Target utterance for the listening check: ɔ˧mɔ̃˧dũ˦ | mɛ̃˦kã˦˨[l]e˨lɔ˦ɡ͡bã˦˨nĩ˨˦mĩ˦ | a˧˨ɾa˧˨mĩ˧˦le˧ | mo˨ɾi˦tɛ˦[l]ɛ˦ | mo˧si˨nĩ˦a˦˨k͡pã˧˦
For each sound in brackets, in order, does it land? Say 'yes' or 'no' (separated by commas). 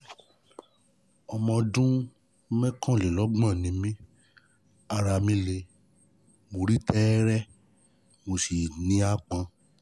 yes, no